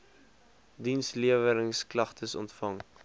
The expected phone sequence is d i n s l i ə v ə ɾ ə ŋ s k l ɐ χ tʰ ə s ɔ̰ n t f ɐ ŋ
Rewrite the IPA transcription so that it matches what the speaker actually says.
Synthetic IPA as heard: d i n s l i ə v ə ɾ ə ŋ s k l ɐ χ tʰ ə s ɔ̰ n t f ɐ ŋ